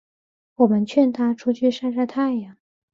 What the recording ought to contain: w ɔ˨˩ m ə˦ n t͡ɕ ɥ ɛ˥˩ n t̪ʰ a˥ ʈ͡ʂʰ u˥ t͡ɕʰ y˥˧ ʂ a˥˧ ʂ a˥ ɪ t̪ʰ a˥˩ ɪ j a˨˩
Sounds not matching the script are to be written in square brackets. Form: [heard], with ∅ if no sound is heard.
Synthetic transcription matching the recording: w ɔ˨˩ m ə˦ n [t͡ɕʰ] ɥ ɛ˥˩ n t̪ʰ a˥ ʈ͡ʂʰ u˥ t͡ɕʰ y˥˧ ʂ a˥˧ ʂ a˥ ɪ t̪ʰ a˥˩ ɪ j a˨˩